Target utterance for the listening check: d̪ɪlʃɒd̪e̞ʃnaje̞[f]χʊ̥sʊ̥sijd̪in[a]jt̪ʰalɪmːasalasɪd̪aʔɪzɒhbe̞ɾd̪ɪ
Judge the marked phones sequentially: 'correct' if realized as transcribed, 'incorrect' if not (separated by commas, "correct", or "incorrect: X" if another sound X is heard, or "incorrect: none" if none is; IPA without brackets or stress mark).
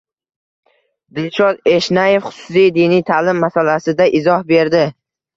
correct, incorrect: i